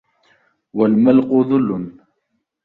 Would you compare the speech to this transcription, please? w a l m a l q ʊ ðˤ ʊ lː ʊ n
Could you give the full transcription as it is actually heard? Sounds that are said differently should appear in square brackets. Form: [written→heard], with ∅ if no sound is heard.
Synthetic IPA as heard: w a l m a l q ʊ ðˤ ʊ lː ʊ n